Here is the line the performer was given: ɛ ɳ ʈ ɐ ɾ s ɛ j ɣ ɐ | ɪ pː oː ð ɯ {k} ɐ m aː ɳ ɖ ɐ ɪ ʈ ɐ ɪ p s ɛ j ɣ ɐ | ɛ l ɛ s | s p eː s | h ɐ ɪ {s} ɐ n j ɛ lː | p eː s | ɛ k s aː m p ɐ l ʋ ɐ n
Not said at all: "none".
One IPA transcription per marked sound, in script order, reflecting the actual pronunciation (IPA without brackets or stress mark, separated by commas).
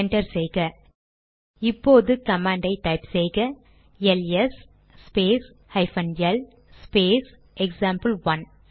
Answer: k, f